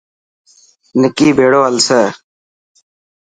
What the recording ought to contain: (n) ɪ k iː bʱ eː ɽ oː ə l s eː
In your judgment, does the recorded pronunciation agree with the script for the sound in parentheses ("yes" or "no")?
yes